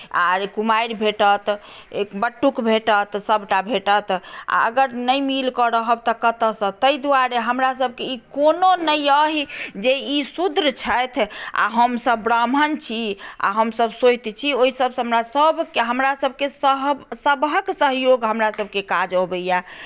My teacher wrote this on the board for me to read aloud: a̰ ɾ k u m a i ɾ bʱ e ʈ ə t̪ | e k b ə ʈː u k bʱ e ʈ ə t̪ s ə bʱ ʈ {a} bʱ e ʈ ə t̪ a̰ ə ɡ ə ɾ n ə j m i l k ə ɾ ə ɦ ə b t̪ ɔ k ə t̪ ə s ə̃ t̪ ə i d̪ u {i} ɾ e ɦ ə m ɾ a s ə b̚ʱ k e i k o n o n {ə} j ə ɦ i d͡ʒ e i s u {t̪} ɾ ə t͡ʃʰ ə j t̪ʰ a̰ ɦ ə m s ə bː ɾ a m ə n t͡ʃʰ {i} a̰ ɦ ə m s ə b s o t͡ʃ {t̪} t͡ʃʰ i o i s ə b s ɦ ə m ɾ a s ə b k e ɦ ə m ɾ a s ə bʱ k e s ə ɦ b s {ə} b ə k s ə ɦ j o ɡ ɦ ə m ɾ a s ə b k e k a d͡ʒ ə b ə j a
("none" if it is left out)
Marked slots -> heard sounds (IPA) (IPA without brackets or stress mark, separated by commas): a, a, ə, d̪, i, t̪, ə